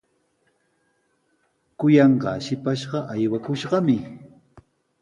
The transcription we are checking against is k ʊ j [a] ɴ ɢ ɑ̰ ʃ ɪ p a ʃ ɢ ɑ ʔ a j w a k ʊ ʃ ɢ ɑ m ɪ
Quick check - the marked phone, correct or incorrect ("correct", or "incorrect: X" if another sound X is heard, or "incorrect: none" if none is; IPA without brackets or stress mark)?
incorrect: ɑ